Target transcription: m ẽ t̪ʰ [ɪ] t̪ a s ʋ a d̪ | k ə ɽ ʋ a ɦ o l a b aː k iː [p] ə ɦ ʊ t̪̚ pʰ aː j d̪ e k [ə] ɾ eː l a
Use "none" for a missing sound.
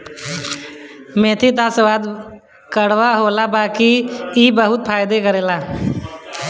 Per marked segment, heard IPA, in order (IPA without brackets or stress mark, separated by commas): i, b, ə